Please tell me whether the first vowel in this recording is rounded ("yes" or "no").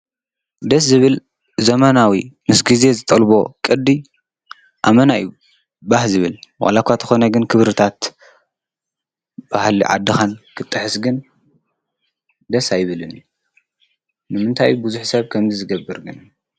no